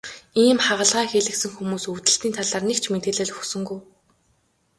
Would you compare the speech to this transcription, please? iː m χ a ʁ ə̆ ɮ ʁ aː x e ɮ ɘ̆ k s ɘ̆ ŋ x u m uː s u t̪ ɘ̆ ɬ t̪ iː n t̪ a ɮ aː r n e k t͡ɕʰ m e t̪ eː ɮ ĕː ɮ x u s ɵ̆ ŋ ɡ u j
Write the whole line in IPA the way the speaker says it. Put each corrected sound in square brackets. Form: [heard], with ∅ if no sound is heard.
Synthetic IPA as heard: iː m χ a ʁ ə̆ ɮ ʁ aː x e ɮ ɘ̆ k s ɘ̆ ŋ x u m uː s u t̪ ɘ̆ ɬ t̪ iː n [t̪ʰ] a ɮ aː r n e k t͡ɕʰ m e t̪ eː ɮ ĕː ɮ x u s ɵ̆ ŋ ɡ u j